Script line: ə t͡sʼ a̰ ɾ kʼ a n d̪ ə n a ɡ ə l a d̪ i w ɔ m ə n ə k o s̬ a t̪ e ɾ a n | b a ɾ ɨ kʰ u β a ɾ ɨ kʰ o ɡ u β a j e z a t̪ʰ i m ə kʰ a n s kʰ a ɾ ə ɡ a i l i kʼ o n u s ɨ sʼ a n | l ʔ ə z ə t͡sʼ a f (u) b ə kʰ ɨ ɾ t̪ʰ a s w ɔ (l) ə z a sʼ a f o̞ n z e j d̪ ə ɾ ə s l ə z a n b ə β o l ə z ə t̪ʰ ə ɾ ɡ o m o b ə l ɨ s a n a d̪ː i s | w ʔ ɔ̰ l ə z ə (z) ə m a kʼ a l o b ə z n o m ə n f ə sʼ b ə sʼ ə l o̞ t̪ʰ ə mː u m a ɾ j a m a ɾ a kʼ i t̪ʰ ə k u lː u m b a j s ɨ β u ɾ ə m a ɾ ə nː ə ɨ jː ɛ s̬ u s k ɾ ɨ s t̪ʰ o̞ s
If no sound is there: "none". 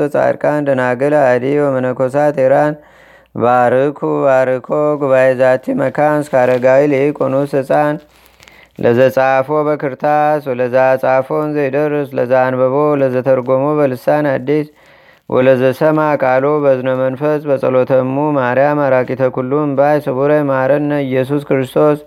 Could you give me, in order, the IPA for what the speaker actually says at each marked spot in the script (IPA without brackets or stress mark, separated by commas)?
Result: o, l, s